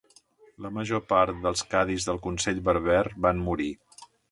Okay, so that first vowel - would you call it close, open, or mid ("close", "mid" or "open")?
mid